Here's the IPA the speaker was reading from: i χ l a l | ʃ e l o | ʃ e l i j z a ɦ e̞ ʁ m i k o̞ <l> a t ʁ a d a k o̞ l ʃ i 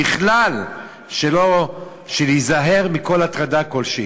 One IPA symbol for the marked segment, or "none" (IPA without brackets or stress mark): l